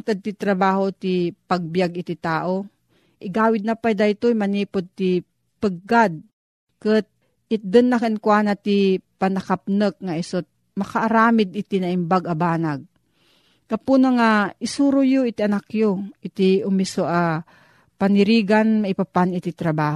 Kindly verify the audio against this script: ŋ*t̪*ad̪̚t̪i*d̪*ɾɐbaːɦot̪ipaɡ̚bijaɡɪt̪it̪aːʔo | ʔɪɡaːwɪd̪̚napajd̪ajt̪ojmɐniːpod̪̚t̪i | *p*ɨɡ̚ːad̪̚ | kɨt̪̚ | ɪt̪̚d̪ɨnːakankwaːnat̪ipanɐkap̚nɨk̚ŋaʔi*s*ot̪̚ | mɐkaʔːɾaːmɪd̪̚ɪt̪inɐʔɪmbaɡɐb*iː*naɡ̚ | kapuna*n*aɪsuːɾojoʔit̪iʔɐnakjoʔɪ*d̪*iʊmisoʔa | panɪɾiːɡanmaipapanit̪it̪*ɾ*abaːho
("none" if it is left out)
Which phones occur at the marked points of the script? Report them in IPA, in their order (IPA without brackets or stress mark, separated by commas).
t̪, t̪, p, s, aː, ŋ, t̪, ɾ